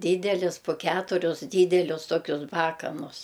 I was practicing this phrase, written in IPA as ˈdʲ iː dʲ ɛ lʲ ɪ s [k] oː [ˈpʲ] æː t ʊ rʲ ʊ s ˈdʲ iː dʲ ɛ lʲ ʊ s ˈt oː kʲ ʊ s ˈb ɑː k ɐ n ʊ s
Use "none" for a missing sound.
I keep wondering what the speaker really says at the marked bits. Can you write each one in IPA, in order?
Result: p, kʲ

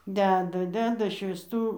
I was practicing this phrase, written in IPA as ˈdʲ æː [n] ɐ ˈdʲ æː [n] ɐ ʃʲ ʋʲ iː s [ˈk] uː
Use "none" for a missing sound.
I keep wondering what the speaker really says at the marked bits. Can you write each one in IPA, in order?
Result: d, d, t

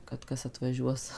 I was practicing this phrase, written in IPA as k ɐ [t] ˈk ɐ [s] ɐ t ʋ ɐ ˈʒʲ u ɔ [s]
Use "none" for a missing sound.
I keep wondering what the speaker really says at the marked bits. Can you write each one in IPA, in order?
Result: t, s, s

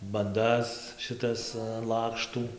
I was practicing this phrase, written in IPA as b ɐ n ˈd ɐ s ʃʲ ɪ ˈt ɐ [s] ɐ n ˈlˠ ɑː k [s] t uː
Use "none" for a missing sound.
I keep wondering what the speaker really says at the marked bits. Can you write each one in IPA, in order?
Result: s, ʃ

